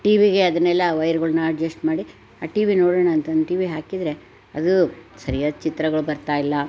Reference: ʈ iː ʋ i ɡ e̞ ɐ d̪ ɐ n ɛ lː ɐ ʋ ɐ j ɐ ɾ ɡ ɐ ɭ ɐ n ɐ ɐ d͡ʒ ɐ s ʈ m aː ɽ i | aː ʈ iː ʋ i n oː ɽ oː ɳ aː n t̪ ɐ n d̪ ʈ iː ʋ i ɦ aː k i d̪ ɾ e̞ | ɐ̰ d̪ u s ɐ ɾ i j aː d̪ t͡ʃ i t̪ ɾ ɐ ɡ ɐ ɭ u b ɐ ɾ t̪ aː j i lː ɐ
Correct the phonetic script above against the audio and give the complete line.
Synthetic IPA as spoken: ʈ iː ʋ i ɡ e̞ ɐ d̪ ɐ n ɛ lː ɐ ʋ ɐ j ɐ ɾ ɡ ɐ ɭ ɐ n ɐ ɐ d͡ʒ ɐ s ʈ m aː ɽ i | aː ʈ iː ʋ i n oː ɽ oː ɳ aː n t̪ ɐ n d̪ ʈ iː ʋ i ɦ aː k i d̪ ɾ e̞ | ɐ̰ d̪ u s ɐ ɾ i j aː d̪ t͡ʃ i t̪ ɾ ɐ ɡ ɐ ɭ u b ɐ ɾ t̪ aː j i lː ɐ